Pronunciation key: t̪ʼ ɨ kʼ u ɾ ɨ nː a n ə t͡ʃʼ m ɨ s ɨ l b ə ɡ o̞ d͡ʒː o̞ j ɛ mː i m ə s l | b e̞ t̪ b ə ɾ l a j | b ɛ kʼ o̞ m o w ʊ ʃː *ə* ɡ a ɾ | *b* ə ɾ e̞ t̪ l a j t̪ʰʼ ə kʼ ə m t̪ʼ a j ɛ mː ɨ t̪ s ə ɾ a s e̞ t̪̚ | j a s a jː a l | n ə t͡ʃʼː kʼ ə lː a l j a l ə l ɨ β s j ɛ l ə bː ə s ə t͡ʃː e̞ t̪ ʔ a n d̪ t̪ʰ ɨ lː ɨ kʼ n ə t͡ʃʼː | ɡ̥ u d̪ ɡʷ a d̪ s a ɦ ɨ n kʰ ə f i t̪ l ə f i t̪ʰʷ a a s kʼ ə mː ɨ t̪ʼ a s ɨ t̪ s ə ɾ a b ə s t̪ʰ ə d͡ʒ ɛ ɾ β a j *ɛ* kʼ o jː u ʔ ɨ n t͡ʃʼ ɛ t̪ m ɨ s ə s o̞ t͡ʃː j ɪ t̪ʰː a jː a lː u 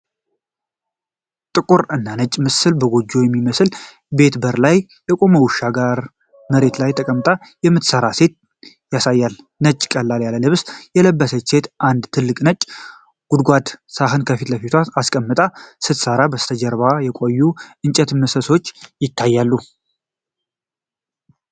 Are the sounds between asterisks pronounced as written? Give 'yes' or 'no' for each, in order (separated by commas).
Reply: no, no, yes